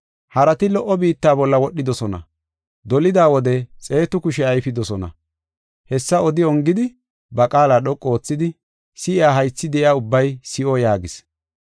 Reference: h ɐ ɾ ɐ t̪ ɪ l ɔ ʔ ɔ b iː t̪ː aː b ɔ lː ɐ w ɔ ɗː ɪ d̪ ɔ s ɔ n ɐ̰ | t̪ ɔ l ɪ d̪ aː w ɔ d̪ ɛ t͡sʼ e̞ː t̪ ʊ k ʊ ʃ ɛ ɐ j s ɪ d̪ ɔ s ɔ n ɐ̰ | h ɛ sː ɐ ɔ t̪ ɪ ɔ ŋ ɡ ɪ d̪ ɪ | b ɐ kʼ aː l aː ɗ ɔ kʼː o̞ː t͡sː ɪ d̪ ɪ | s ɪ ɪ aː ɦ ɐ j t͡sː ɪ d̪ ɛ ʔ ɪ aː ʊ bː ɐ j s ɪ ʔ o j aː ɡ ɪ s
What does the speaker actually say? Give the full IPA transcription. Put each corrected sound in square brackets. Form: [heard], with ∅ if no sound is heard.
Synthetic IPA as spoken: h ɐ ɾ ɐ t̪ ɪ l ɔ ʔ ɔ b iː t̪ː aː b ɔ lː ɐ w ɔ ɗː ɪ d̪ ɔ s ɔ n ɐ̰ | [d̪] ɔ l ɪ d̪ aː w ɔ d̪ ɛ t͡sʼ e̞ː t̪ ʊ k ʊ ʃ ɛ ɐ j [f] ɪ d̪ ɔ s ɔ n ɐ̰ | h ɛ sː ɐ ɔ [d̪] ɪ ɔ ŋ ɡ ɪ d̪ ɪ | b ɐ kʼ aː l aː ɗ ɔ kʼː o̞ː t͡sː ɪ d̪ ɪ | s ɪ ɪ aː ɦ ɐ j t͡sː ɪ d̪ ɛ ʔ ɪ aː ʊ bː ɐ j s ɪ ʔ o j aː ɡ ɪ s